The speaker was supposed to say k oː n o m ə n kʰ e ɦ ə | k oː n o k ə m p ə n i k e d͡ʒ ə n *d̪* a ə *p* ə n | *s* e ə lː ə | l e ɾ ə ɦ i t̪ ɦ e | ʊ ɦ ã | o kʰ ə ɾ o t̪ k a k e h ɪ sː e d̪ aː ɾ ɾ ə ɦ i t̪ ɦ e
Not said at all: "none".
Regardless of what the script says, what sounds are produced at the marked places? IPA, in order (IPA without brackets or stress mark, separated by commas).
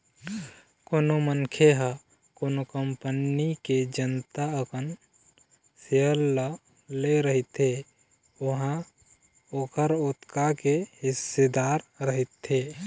t̪, k, s